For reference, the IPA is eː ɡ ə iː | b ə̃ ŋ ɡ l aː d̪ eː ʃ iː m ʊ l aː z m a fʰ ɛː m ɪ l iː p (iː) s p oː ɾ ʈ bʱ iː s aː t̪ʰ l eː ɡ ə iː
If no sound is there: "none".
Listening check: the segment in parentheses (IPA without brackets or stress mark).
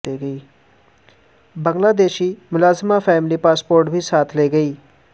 aː